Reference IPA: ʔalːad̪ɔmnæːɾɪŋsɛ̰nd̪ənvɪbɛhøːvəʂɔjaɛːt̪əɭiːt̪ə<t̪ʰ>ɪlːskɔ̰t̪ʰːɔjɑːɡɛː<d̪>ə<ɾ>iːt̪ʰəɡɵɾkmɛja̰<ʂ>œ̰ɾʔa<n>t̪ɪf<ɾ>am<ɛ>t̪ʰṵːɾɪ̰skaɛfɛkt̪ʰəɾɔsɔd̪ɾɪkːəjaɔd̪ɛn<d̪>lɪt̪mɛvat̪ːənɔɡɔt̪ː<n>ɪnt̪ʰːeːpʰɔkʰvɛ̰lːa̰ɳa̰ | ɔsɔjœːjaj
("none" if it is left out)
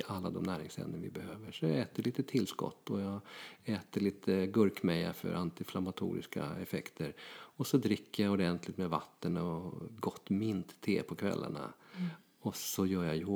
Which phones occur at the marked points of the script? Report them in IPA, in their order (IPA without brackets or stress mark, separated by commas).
t̪ʰ, t̪, ɭ, f, n, l, a, t̪, m